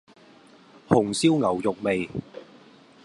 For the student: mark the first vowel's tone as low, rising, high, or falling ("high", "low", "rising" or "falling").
low